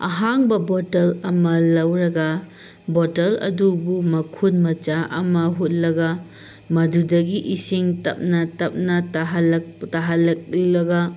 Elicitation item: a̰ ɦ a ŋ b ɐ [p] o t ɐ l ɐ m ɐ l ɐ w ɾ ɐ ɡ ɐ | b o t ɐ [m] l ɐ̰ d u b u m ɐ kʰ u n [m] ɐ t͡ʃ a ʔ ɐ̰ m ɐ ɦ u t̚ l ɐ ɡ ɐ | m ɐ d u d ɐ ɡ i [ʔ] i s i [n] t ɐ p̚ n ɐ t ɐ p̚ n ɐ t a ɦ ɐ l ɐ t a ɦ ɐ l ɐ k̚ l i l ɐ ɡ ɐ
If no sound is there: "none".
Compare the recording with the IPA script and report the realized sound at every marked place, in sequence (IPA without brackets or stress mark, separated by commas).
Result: b, none, m, ʔ, ŋ